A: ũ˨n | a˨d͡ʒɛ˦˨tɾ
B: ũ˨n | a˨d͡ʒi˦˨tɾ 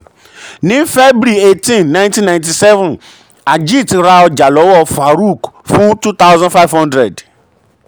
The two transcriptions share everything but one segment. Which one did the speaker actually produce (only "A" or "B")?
B